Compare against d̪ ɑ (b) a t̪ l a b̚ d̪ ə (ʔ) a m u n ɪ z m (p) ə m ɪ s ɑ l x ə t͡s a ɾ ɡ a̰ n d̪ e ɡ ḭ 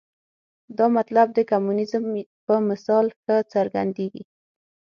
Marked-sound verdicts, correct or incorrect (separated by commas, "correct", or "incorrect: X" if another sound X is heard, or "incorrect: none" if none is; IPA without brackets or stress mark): incorrect: m, incorrect: k, correct